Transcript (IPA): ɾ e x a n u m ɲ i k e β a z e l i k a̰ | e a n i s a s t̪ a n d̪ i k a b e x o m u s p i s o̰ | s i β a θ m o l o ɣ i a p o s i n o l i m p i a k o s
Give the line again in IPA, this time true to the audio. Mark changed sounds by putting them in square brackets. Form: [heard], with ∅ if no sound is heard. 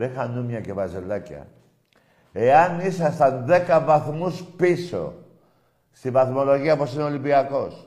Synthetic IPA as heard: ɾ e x a n u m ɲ [a] k e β a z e l [a] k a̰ | e a n i s a s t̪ a n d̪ [e] k a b [a] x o m u s p i s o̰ | s i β a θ m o l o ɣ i a p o s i n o l i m p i a k o s